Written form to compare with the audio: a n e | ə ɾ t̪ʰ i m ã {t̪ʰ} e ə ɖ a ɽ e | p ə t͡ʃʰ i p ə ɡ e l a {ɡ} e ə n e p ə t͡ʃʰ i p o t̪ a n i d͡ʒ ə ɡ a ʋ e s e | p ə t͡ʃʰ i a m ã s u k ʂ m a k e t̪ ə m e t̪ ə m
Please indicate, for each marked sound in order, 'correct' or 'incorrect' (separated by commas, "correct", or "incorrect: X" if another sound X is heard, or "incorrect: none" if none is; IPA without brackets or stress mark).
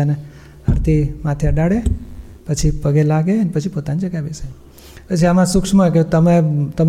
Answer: correct, correct